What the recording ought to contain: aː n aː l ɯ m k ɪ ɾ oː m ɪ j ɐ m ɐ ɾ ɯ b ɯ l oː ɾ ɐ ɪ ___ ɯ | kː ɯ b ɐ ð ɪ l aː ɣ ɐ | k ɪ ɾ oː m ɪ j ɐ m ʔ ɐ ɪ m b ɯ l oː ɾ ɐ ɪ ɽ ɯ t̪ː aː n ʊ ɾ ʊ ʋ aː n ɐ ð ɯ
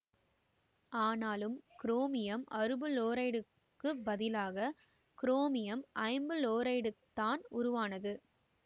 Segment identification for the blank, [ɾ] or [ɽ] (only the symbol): ɽ